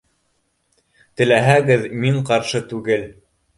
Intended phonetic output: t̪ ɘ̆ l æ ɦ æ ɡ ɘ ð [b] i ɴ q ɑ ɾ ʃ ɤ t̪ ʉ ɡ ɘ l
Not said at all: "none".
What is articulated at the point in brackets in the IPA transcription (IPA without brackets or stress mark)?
m